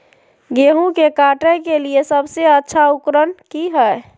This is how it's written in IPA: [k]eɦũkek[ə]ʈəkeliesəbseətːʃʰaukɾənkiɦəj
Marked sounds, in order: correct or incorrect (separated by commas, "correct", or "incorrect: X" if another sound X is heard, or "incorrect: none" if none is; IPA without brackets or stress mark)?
incorrect: ɡ, incorrect: a